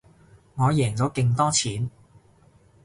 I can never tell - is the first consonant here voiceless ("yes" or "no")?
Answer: no